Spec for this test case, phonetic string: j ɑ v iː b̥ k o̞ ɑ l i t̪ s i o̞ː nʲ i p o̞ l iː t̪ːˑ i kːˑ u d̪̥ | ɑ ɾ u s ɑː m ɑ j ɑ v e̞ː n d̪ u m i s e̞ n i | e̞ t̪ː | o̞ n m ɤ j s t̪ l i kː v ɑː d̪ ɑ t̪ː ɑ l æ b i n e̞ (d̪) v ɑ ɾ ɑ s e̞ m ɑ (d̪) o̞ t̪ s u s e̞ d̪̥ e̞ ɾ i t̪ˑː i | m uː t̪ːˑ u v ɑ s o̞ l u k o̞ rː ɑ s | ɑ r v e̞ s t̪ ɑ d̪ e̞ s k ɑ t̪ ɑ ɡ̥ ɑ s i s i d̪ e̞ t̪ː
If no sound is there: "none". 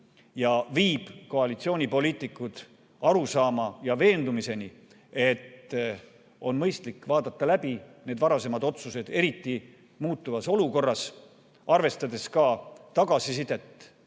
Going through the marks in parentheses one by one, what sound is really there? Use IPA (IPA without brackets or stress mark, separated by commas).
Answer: d̪, d̪